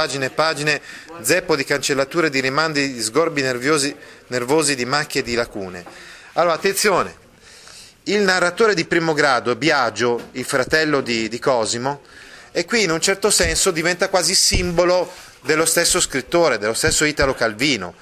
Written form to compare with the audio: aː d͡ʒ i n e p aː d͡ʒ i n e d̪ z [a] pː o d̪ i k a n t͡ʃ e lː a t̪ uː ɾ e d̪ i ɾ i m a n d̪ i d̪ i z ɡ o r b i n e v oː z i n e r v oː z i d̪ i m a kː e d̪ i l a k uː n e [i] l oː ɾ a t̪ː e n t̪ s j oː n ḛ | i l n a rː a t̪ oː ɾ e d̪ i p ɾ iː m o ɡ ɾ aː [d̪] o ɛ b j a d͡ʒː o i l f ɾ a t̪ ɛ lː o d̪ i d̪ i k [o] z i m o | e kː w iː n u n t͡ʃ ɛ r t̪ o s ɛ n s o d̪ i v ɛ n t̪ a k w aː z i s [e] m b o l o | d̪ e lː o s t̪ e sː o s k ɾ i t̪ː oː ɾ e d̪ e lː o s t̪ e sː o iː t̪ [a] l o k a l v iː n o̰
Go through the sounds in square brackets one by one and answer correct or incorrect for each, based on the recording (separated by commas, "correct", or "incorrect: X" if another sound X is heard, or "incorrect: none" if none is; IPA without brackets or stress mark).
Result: incorrect: ɛ, incorrect: a, correct, incorrect: ɔ, incorrect: i, correct